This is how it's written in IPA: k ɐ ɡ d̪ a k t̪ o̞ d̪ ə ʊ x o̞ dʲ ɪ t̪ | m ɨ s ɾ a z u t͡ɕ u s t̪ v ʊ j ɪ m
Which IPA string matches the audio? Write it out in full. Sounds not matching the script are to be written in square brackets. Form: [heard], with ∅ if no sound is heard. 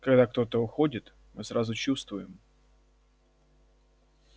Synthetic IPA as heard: k ɐ ɡ d̪ a k t̪ o̞ [t̪] ə ʊ x o̞ dʲ ɪ t̪ | m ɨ s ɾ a z [ʊ] t͡ɕ u s t̪ v ʊ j ɪ m